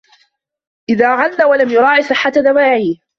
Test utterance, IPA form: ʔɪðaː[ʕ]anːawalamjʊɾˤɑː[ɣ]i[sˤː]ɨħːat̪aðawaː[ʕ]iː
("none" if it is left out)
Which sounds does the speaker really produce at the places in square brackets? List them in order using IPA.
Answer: ʕ, ʕ, sˤ, ʕ

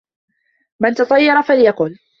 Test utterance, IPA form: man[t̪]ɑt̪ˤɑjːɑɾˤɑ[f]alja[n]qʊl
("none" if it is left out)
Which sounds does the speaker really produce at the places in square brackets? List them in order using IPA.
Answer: t̪, f, none

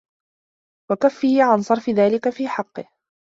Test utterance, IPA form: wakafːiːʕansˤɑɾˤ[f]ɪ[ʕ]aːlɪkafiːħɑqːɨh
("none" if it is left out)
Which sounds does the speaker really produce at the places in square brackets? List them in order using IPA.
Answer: f, ð

